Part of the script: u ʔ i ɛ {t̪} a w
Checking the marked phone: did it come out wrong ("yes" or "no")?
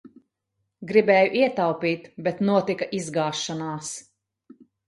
no